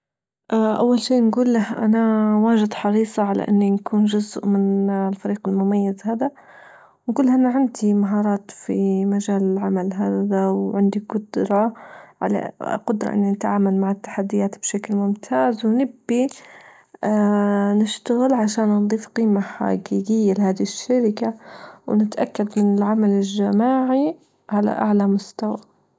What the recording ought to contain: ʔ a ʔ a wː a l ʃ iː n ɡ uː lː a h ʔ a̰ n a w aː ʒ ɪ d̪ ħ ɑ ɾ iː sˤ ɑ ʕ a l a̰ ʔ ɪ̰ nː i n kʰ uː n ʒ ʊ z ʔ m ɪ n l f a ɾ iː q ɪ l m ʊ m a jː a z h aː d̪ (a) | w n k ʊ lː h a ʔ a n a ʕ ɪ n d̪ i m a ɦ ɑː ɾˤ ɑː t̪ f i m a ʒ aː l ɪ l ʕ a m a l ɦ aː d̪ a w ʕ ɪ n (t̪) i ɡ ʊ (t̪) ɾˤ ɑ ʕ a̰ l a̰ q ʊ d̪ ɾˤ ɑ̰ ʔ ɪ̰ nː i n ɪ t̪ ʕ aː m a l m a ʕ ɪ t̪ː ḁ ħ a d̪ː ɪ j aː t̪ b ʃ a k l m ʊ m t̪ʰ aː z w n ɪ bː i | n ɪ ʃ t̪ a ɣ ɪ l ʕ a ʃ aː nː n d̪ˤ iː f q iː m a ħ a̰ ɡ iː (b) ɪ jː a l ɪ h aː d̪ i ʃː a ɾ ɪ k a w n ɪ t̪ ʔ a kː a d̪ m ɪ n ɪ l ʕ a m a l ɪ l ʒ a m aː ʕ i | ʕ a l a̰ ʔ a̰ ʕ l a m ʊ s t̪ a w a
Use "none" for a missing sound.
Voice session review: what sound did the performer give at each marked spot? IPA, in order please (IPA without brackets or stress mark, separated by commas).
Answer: a, d̪, d̪, ɡ